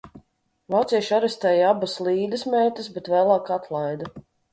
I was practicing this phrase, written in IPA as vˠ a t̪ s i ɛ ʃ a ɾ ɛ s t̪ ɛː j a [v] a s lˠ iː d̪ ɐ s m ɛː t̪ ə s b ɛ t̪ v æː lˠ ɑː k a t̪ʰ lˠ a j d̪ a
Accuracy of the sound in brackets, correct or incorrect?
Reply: incorrect